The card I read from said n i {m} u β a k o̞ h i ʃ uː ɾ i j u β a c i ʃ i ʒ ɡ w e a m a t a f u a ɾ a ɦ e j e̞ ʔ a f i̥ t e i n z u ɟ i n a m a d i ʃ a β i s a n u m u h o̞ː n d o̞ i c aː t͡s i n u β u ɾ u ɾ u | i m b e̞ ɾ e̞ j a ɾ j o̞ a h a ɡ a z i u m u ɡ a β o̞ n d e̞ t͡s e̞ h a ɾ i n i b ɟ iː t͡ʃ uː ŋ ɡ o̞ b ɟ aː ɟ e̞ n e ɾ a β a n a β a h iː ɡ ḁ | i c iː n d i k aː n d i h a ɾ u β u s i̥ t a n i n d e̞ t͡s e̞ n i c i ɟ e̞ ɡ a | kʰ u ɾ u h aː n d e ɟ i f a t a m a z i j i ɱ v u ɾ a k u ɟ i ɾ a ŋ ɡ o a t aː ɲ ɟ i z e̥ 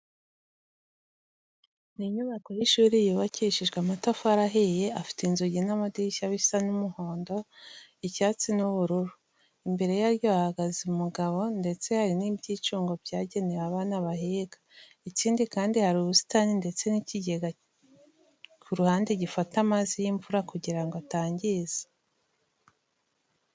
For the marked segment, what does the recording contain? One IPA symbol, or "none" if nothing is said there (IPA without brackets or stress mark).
ɲ